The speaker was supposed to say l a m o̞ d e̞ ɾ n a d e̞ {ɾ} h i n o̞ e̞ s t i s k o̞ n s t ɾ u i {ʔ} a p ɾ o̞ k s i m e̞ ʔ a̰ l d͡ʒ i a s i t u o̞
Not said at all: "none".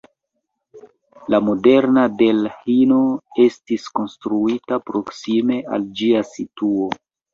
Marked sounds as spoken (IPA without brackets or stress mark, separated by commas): l, t